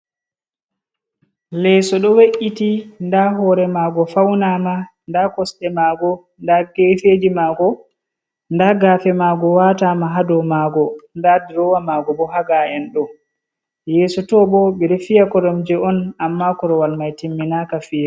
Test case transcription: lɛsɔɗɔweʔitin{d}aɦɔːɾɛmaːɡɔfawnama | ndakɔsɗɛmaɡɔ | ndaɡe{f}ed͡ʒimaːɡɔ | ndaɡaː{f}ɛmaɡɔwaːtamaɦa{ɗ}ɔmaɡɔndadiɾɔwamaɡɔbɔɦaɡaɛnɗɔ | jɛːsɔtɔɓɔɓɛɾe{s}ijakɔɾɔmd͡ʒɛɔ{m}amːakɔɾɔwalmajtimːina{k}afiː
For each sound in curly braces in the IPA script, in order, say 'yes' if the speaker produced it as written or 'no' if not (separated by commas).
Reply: yes, yes, yes, no, no, no, yes